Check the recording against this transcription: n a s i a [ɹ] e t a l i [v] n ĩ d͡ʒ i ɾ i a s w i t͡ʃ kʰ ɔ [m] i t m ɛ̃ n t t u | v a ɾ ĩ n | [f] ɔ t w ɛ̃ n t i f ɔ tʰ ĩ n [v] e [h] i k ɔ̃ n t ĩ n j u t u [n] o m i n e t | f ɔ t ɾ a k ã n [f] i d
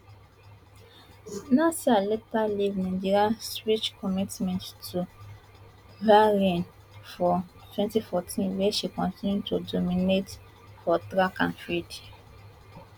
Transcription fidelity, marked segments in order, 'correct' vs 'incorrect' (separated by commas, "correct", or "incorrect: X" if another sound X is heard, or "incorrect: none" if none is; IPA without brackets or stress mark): incorrect: l, correct, correct, correct, incorrect: w, incorrect: ʃ, incorrect: d, correct